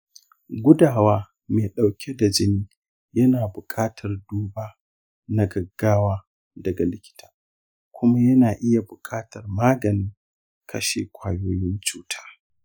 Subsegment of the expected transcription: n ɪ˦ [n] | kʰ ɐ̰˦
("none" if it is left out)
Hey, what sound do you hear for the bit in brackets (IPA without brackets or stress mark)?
ŋ